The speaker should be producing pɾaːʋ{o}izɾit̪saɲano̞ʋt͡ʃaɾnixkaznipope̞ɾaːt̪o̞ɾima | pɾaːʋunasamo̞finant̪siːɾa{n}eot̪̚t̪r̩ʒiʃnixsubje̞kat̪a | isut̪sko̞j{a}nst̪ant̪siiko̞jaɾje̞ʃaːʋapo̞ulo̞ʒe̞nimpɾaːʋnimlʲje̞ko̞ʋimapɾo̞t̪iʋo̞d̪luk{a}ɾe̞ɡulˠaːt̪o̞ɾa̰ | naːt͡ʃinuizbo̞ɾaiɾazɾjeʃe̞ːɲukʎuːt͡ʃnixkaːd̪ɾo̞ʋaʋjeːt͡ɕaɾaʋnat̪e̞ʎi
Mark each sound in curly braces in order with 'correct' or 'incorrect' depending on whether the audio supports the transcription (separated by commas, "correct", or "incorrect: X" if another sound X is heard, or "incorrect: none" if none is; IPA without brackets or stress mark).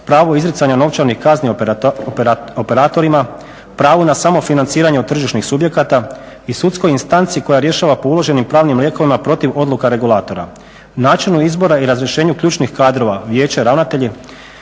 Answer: correct, incorrect: ɲ, incorrect: i, correct